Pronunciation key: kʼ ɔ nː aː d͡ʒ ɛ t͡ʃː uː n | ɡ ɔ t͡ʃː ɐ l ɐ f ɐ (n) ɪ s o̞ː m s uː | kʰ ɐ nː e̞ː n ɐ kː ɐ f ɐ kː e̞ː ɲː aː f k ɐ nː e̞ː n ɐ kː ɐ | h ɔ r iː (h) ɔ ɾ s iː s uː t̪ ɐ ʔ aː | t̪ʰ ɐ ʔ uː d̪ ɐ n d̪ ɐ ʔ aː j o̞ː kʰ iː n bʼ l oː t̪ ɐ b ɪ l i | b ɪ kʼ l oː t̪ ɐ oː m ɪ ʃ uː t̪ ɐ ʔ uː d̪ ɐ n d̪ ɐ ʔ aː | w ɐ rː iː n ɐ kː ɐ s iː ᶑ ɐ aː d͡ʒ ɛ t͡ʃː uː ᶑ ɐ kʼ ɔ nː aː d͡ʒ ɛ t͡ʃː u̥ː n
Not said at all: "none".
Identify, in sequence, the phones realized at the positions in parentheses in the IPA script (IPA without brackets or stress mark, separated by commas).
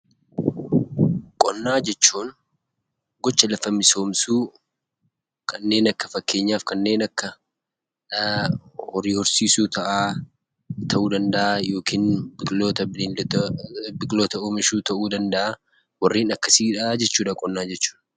m, h